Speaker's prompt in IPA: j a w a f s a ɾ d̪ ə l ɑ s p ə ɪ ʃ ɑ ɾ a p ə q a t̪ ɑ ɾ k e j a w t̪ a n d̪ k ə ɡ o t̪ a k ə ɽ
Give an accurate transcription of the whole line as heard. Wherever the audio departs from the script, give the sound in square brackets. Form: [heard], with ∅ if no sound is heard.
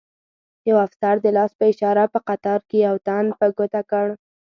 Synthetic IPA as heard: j a w a f s a ɾ d̪ ə l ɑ s p ə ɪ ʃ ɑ ɾ a p ə q a t̪ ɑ ɾ k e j a w t̪ a n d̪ [p] ə ɡ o t̪ a k ə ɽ